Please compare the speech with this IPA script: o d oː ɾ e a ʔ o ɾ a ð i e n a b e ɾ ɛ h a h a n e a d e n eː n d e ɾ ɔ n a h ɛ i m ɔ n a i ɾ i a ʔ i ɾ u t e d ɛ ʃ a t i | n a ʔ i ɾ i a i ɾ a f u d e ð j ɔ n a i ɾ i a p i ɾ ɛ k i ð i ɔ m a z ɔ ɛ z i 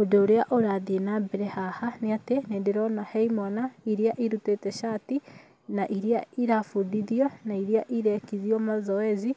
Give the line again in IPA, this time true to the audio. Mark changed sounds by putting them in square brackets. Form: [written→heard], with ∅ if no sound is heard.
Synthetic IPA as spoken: o d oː ɾ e a ʔ o ɾ a ð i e n a b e ɾ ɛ h a h a n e a [d→t] e n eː n d e ɾ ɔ n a h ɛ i m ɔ n a i ɾ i a ʔ i ɾ u t e [d→t] ɛ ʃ a t i | n a ʔ i ɾ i a i ɾ a f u d [e→i] ð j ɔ n a i ɾ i a [p→ʔ] i ɾ ɛ k i ð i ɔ m a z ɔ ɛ z i